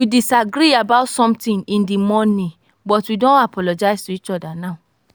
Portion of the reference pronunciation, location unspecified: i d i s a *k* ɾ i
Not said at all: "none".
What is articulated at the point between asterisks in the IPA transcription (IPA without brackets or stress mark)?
ɡ